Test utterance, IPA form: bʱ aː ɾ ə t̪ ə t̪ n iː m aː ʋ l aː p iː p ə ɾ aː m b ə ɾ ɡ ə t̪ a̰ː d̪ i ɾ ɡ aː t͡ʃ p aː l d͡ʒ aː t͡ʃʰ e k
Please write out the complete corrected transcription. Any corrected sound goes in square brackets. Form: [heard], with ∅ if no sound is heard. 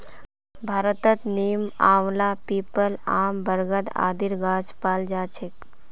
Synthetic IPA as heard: bʱ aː ɾ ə t̪ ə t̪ n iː m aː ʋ l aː p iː p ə [l] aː m b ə ɾ ɡ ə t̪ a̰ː d̪ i ɾ ɡ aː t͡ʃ p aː l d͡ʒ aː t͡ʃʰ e k